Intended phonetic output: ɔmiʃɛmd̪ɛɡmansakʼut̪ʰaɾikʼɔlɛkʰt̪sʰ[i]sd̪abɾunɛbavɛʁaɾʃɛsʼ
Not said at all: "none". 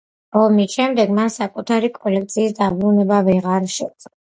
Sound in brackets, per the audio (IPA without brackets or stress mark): iː